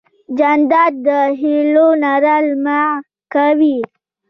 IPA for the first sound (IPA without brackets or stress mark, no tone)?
d͡ʒ